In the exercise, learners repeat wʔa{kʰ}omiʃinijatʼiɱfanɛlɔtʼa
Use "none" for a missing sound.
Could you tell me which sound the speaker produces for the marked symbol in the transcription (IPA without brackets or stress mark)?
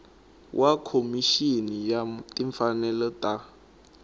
kʰ